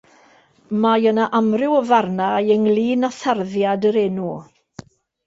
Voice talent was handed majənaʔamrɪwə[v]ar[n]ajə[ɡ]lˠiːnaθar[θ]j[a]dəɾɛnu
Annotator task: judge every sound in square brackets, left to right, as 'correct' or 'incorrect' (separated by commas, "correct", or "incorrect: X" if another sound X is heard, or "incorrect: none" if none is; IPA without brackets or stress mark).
correct, correct, incorrect: ŋ, incorrect: ð, correct